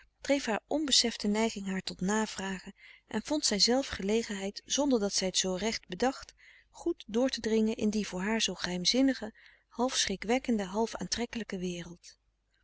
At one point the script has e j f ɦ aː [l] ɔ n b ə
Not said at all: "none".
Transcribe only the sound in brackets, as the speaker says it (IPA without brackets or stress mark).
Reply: ɹ